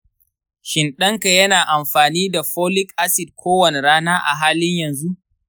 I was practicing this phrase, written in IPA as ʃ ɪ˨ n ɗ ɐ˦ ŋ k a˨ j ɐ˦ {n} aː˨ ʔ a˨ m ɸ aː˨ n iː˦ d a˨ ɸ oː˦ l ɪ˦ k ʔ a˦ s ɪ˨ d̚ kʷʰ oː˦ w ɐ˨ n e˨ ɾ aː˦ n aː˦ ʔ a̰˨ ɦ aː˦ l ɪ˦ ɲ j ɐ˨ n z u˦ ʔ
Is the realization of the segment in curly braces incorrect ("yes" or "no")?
no